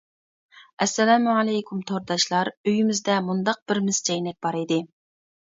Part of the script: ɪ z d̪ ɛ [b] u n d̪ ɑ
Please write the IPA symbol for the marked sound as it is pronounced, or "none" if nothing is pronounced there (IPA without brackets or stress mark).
m